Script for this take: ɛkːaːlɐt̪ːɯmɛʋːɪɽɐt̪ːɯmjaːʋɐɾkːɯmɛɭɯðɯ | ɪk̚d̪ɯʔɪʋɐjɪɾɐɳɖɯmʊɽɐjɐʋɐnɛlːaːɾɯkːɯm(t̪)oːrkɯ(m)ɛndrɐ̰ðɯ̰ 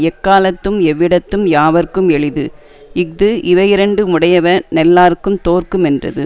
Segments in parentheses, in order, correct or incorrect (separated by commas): correct, correct